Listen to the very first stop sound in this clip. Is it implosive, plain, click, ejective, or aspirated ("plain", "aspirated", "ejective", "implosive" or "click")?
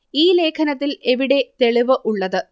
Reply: aspirated